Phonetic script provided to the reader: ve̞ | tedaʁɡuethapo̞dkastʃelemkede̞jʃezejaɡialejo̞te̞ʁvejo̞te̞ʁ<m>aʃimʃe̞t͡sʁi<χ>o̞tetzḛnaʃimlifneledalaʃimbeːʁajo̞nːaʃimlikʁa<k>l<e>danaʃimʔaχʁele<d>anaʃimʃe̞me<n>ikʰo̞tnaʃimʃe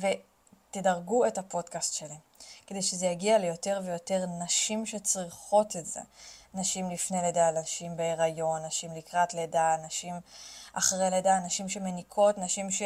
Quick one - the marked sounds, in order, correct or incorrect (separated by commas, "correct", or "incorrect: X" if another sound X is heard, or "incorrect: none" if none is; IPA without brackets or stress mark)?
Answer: incorrect: n, correct, incorrect: t, correct, correct, correct